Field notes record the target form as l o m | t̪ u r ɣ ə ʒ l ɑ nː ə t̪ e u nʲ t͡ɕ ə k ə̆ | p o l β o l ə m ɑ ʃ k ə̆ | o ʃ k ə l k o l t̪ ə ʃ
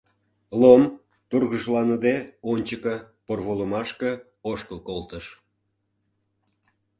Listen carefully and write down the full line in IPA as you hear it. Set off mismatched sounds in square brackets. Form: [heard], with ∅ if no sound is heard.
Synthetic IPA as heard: l o m | t̪ u r ɣ ə ʒ l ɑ [n] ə [d̪] e [o] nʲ t͡ɕ ə k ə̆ | p o [r] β o l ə m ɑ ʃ k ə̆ | o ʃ k ə l k o l t̪ ə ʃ

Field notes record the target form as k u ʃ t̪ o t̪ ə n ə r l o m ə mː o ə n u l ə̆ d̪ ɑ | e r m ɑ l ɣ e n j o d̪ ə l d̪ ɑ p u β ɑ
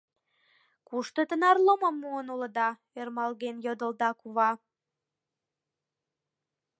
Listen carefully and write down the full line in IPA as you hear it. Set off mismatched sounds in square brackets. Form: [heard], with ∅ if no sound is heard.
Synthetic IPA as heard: k u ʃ t̪ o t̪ ə n [ɑ] r l o m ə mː [u] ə n u l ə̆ d̪ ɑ | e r m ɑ l ɣ e n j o d̪ ə l d̪ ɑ [k] u β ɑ

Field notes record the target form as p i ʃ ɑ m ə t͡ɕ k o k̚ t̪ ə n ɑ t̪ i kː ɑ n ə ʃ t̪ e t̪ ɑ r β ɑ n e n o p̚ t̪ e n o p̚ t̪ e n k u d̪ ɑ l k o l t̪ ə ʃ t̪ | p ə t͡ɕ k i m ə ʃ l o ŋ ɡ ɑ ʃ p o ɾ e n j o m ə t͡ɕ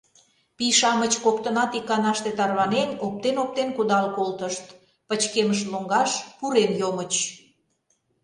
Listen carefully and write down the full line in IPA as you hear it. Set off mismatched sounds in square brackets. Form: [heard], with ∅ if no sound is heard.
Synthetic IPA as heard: p i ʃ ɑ m ə t͡ɕ k o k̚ t̪ ə n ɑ t̪ i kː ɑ n [ɑ] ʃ t̪ e t̪ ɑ r β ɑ n e n o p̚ t̪ e n o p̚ t̪ e n k u d̪ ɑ l k o l t̪ ə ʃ t̪ | p ə t͡ɕ k [e] m ə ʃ l o ŋ ɡ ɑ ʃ p [u] ɾ e n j o m ə t͡ɕ

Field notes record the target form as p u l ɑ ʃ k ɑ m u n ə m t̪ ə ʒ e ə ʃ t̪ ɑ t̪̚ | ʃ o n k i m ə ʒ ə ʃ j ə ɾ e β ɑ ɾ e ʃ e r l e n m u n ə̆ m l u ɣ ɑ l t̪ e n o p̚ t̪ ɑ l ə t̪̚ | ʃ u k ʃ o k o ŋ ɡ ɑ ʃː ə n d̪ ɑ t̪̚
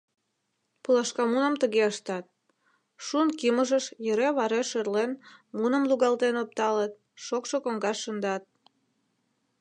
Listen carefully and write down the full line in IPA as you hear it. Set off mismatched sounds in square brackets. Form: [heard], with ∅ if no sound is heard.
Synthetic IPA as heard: p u l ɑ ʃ k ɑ m u n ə m t̪ ə [ɣ] e ə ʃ t̪ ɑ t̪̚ | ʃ [u] n k i m ə ʒ ə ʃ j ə ɾ e β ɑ ɾ e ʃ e r l e n m u n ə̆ m l u ɣ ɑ l t̪ e n o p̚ t̪ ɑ l ə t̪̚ | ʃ [o] k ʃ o k o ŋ ɡ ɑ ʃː ə n d̪ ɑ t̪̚

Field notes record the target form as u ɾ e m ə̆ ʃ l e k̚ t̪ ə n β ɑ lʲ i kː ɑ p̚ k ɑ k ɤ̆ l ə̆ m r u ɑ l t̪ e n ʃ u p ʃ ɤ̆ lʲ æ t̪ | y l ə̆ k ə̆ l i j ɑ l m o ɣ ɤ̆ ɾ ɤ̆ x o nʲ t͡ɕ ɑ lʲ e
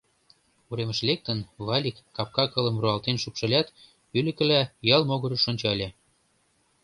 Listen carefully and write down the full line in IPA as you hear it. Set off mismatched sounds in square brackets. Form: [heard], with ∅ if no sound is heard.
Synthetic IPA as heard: u ɾ e m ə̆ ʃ l e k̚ t̪ ə n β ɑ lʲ i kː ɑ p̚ k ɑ k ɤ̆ l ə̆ m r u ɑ l t̪ e n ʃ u p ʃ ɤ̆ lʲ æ t̪ | y l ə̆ k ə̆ l [æ] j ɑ l m o ɣ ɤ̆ ɾ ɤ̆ [ʃ] o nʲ t͡ɕ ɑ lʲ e

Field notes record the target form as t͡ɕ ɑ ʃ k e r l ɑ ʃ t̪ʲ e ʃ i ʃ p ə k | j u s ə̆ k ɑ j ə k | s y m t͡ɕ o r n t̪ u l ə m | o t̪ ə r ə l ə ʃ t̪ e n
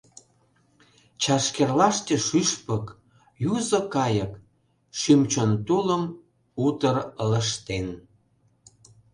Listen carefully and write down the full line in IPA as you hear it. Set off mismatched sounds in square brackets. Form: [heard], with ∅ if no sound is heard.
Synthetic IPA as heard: t͡ɕ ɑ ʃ k e r l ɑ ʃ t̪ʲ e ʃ [y] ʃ p ə k | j u [z] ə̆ k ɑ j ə k | [ʃ] y m t͡ɕ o [∅] n t̪ u l ə m | [u] t̪ ə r ə l ə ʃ t̪ e n

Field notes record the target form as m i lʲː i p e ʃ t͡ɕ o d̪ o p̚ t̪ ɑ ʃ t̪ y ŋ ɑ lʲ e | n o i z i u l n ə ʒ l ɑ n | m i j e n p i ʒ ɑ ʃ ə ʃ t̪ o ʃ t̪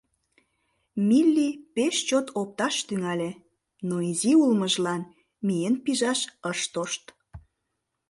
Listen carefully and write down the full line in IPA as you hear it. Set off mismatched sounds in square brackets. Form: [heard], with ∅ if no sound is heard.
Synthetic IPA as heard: m i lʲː i p e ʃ t͡ɕ o [t̪] o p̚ t̪ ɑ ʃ t̪ y ŋ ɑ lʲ e | n o i z i u l [m] ə ʒ l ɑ n | m i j e n p i ʒ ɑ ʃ ə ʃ t̪ o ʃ t̪

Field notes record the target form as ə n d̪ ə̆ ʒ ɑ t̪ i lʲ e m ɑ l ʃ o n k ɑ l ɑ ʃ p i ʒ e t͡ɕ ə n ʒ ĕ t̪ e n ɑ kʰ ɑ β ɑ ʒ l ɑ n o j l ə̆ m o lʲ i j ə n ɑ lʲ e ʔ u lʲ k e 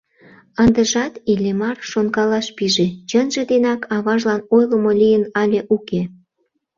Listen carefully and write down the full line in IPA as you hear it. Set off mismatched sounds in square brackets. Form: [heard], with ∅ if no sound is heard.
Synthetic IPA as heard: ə n d̪ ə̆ ʒ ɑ t̪ i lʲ e m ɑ [r] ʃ o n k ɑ l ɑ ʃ p i ʒ e t͡ɕ ə n ʒ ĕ [d̪] e n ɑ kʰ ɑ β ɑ ʒ l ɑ n o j l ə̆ m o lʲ i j ə n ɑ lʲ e ʔ u [∅] k e

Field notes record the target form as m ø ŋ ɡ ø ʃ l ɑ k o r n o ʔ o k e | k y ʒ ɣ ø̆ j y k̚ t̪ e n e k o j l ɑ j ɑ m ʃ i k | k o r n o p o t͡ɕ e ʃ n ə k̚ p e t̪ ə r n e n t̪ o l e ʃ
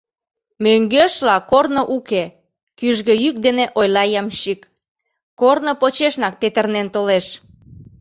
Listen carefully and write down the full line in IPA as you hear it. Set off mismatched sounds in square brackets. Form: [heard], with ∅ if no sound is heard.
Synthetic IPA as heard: m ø ŋ ɡ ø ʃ l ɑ k o r n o ʔ [u] k e | k y ʒ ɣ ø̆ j y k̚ [d̪] e n e [ʔ] o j l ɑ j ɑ m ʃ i k | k o r n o p o t͡ɕ e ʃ n [ɑ] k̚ p e t̪ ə r n e n t̪ o l e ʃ

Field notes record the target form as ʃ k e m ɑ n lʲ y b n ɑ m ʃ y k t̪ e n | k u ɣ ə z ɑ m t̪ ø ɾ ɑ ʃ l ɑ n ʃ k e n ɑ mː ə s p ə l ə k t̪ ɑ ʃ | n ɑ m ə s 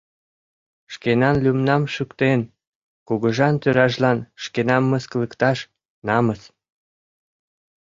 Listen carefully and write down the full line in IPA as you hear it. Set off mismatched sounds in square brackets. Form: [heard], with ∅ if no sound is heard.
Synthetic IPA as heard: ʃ k e [n] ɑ n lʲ y [m] n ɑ m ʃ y k t̪ e n | k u ɣ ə [ʒ] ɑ [n] t̪ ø ɾ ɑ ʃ l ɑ n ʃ k e n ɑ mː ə s [k] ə l ə k t̪ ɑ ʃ | n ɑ m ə s

